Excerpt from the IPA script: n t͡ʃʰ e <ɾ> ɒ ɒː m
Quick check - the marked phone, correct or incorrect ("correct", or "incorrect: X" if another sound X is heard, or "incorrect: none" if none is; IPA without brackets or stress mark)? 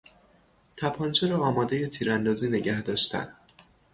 correct